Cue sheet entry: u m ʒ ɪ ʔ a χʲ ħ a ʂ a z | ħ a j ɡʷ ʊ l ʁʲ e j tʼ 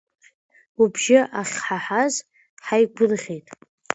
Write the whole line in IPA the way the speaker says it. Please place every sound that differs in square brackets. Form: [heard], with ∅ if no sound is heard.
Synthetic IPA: u [b] ʒ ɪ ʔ a χʲ ħ a [ħ] a z | ħ a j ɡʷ ʊ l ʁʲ e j tʼ